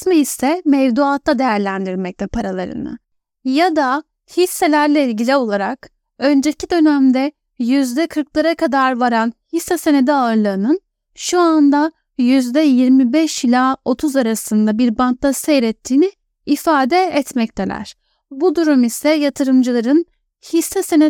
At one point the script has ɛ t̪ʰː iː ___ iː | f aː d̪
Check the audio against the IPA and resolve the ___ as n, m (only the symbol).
n